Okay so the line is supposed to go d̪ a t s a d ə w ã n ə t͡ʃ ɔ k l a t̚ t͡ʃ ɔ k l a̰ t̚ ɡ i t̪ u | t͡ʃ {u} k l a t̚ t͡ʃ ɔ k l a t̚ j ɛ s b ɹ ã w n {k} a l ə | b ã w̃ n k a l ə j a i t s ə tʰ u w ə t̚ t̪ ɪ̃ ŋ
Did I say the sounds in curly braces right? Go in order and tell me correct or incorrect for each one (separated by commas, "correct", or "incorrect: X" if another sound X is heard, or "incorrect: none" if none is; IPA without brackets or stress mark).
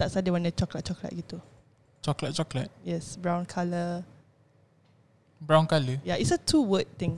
incorrect: ɔ, incorrect: kʰ